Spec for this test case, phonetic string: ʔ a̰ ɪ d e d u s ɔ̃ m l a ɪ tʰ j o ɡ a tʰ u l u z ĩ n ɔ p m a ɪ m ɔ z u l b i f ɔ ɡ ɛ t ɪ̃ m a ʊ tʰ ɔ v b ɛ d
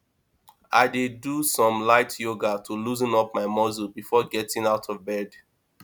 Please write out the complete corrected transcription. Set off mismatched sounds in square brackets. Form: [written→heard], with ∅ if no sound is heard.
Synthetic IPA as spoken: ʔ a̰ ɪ d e d u s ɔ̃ m l a ɪ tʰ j o ɡ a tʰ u l u z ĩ n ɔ p m a ɪ m ɔ z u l b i f ɔ ɡ ɛ t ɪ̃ [m→ŋ] a ʊ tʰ ɔ v b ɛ d